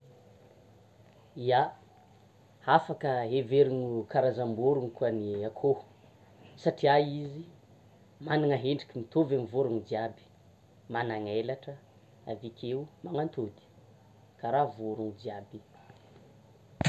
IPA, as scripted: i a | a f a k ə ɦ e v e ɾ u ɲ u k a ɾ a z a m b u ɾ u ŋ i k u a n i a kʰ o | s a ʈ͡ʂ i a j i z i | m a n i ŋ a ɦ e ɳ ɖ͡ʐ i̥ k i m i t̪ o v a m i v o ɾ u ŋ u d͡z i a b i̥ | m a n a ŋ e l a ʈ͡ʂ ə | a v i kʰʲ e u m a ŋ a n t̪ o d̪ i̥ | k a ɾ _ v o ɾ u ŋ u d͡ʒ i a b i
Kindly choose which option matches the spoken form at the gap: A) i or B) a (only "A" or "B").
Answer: B